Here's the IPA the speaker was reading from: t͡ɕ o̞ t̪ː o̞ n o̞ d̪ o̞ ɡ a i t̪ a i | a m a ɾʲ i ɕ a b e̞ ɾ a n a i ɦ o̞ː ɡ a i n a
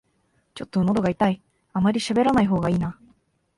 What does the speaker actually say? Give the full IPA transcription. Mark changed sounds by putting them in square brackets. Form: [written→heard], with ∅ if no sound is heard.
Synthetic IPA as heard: t͡ɕ o̞ t̪ː o̞ n o̞ d̪ o̞ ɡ a i t̪ a i | a m a ɾʲ i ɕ a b e̞ ɾ a n a i ɦ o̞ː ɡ a [i→iː] n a